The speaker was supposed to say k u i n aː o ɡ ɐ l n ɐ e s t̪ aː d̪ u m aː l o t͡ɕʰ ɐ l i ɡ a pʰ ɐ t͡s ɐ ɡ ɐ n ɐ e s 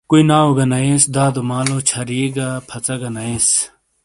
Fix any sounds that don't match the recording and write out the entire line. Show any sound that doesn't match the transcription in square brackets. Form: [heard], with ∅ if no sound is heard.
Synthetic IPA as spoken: k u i n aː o ɡ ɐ [∅] n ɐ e s [d̪] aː d̪ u m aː l o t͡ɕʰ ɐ [ɾ] i ɡ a pʰ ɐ t͡s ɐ ɡ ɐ n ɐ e s